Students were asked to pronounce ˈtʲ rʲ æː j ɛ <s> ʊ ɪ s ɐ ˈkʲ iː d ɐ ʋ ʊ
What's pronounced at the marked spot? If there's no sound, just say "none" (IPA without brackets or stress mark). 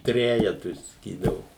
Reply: t